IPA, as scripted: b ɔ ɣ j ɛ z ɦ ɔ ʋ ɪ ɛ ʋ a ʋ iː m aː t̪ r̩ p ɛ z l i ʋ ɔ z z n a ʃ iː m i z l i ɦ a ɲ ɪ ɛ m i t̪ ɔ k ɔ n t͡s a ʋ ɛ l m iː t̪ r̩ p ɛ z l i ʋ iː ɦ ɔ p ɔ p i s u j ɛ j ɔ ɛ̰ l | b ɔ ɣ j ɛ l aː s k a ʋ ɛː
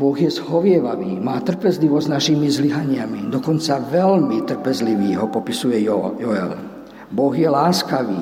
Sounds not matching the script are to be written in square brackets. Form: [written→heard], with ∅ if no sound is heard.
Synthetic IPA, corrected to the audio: b ɔ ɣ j ɛ z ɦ ɔ ʋ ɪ ɛ ʋ a ʋ iː m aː t̪ r̩ p ɛ z l i ʋ ɔ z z n a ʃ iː m i z l i ɦ a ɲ ɪ [ɛ→a] m i [t̪→d̪] ɔ k ɔ n t͡s a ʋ ɛ l m [iː→i] t̪ r̩ p ɛ z l i ʋ iː ɦ ɔ p ɔ p i s u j ɛ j ɔ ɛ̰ l | b ɔ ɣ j ɛ l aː s k a ʋ [ɛː→iː]